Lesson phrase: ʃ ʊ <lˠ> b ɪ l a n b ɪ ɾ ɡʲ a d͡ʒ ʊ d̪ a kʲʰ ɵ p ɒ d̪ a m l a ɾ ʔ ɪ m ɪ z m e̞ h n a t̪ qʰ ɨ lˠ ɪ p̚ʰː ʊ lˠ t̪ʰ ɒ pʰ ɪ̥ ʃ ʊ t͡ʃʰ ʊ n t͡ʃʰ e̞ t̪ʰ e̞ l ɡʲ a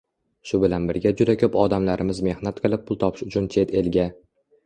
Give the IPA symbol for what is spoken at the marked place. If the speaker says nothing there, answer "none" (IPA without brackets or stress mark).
none